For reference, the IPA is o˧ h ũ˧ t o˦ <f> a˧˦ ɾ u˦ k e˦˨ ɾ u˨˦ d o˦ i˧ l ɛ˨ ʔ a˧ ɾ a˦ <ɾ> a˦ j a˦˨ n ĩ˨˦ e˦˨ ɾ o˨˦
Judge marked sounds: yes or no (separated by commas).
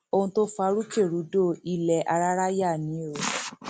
yes, yes